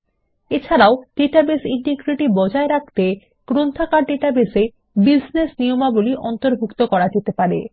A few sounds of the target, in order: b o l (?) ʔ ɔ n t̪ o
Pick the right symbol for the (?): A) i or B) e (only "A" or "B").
A